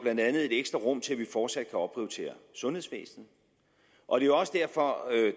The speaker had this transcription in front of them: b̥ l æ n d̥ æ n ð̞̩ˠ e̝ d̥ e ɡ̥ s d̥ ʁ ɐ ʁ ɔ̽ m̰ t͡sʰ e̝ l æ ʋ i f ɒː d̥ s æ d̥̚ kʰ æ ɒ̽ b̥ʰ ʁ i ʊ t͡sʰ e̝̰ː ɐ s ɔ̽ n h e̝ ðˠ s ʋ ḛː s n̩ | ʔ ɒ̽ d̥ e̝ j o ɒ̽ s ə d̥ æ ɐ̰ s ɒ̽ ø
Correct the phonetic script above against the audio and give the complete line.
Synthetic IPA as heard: b̥ l æ n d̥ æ n ð̞̩ˠ e̝ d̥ e ɡ̥ s d̥ ʁ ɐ ʁ ɔ̽ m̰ t͡sʰ e̝ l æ ʋ i f ɒː d̥ s æ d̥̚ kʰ æ ɒ̽ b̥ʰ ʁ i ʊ t͡sʰ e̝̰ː ɐ s ɔ̽ n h e̝ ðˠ s ʋ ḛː s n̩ | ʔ ɒ̽ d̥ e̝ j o ɒ̽ s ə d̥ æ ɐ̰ f ɒ̽ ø